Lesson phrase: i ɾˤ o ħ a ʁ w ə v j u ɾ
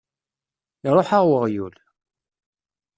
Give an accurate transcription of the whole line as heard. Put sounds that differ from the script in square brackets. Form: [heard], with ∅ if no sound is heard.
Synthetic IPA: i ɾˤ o ħ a ʁ w ə [ʁ] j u [l]